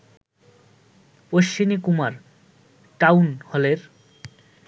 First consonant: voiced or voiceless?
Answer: voiceless